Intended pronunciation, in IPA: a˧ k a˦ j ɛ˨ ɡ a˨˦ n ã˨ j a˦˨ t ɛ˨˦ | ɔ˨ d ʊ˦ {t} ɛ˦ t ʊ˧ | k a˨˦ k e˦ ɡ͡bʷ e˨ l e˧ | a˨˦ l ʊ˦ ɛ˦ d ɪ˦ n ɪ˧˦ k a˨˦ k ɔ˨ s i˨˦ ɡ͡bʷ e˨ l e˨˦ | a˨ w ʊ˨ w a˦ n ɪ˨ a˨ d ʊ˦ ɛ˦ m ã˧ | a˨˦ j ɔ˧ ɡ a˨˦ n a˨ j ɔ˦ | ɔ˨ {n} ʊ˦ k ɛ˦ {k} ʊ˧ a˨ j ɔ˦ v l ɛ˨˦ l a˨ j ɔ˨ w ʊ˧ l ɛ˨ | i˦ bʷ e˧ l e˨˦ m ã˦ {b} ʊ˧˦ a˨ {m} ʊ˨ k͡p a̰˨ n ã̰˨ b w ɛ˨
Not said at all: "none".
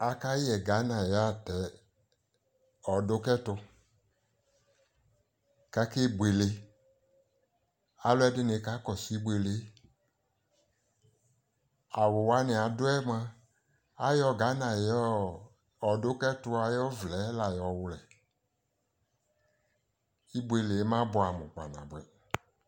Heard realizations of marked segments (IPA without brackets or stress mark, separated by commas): k, d, t, b, m